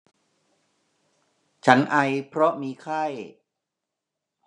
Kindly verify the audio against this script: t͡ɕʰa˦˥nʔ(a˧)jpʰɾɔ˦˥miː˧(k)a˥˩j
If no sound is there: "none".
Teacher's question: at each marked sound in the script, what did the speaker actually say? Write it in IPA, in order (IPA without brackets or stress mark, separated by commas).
a˧, kʰ